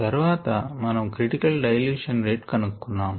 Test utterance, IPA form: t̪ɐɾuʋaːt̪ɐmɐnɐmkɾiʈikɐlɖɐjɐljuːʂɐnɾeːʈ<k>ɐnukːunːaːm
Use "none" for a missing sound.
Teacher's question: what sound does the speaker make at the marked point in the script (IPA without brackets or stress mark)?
k